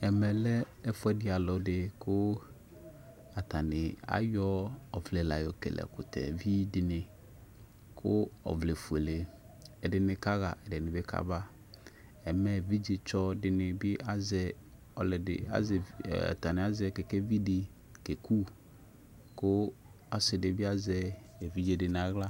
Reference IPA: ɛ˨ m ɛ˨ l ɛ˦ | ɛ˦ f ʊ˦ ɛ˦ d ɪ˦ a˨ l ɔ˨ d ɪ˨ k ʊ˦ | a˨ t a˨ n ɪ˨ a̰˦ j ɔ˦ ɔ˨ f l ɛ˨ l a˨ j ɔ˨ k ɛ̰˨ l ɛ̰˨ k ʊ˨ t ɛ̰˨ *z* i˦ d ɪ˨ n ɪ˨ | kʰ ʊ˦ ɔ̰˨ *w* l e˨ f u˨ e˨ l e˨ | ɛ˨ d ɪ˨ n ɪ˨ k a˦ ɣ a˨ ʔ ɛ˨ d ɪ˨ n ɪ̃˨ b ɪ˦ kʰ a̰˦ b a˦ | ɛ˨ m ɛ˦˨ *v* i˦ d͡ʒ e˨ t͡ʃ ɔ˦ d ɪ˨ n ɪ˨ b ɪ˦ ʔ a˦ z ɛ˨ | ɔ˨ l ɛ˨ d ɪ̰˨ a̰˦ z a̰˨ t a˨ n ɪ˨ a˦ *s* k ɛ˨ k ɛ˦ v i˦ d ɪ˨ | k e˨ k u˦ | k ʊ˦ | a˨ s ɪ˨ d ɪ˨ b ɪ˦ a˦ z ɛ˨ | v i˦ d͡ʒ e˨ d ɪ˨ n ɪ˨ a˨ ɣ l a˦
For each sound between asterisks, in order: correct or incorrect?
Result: incorrect, incorrect, correct, incorrect

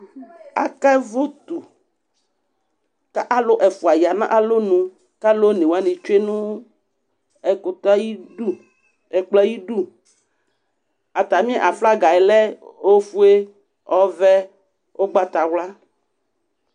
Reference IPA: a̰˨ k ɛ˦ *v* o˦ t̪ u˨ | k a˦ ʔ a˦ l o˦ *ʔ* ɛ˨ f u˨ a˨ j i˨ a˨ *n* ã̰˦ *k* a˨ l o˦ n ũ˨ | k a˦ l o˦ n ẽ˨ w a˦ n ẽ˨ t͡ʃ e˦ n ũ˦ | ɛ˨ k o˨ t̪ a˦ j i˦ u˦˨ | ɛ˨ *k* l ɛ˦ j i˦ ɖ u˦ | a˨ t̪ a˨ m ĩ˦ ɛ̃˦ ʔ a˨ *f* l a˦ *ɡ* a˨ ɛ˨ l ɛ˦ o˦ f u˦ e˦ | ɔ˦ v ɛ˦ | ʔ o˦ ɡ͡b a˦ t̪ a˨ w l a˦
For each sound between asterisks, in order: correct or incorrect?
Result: correct, correct, correct, incorrect, incorrect, correct, correct

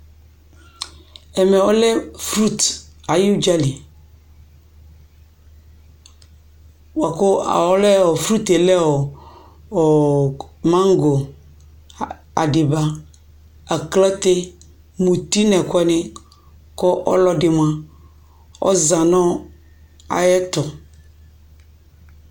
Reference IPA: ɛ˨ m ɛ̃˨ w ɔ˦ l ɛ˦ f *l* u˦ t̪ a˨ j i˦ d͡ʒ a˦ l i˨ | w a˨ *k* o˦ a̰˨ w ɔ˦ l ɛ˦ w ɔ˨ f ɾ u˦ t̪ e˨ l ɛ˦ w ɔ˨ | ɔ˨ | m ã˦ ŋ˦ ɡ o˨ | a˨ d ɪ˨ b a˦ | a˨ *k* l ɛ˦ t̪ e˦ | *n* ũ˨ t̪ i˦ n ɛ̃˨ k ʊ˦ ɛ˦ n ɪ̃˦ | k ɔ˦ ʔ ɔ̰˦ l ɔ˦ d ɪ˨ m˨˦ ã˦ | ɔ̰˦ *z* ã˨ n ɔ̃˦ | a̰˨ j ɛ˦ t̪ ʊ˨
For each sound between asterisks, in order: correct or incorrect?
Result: incorrect, correct, correct, incorrect, correct

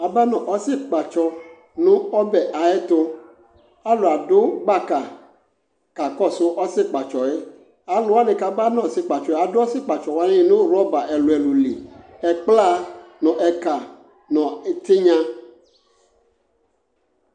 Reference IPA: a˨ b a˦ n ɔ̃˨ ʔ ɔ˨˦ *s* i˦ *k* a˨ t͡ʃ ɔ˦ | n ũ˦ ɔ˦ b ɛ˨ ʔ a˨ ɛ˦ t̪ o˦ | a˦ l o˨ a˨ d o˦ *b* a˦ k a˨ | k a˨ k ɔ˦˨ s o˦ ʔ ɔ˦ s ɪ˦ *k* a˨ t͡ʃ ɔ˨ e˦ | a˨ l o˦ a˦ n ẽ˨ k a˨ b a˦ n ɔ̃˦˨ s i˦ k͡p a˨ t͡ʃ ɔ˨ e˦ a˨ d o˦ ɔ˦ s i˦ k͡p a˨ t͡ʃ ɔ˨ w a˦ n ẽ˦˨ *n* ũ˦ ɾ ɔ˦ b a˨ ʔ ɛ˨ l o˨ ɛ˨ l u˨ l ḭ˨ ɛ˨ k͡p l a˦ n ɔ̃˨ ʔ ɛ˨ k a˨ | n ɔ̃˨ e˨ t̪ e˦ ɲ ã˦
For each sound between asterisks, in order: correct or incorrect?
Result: correct, incorrect, incorrect, incorrect, correct

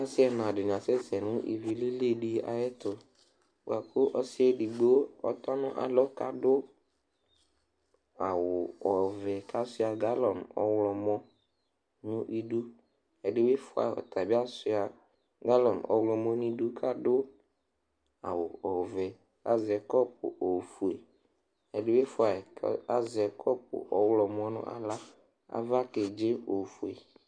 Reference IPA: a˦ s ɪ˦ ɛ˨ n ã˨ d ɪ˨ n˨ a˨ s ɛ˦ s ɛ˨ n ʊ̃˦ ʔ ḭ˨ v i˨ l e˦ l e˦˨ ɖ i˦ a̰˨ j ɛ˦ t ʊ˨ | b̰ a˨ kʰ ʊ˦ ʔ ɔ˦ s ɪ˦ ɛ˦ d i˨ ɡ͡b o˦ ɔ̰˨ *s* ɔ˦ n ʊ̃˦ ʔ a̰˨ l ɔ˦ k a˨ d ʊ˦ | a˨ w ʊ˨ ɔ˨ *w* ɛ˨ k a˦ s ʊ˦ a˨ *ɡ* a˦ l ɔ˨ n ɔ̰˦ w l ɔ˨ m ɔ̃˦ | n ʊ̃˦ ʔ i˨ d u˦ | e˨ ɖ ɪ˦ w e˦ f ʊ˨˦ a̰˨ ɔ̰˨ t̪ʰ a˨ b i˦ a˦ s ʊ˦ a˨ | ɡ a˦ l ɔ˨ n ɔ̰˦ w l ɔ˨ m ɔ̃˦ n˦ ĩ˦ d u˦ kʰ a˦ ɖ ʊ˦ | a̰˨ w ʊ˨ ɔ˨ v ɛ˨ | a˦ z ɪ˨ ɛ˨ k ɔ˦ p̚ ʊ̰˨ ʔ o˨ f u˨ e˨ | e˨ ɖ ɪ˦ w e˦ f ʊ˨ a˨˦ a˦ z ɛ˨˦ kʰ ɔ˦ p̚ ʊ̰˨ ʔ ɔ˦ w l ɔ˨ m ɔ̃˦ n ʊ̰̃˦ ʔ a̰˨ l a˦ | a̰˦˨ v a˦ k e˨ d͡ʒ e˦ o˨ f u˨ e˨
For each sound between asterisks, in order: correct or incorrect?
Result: incorrect, incorrect, correct

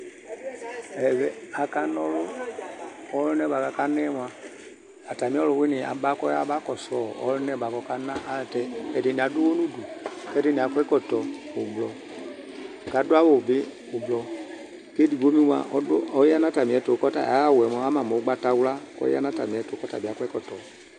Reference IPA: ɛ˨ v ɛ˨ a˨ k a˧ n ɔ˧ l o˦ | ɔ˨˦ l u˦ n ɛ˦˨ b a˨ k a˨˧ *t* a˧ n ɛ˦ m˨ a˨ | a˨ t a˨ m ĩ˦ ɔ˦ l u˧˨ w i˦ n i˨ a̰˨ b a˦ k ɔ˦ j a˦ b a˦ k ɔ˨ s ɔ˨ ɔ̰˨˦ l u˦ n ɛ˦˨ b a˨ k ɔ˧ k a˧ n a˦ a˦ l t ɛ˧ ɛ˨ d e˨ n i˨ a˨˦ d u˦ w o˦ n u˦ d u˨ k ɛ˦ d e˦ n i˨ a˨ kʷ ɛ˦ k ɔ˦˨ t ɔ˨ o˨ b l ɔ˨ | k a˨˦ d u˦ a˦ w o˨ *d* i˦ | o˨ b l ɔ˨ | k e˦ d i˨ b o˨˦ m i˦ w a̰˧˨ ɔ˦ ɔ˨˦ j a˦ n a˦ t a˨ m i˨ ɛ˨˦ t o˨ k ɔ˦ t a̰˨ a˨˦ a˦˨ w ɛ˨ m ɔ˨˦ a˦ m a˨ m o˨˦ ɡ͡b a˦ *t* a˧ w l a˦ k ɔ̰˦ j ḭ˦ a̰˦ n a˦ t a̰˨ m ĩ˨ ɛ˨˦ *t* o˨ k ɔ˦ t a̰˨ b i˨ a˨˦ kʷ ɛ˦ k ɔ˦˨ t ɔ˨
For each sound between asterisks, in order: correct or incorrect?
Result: incorrect, incorrect, correct, correct

